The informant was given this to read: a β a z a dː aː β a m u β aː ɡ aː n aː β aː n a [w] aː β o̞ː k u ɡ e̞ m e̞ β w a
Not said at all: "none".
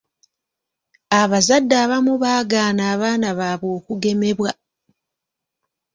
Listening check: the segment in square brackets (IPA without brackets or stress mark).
β